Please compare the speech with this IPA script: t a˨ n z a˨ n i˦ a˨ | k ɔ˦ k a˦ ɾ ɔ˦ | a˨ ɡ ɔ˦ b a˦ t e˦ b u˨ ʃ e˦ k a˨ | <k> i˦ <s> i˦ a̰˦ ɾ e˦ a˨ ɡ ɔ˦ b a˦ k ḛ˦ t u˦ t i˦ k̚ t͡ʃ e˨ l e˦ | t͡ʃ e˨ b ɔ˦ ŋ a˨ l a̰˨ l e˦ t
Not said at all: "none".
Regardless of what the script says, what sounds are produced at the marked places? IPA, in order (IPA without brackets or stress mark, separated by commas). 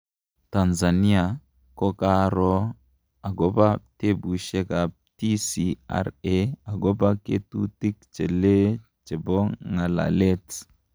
t, s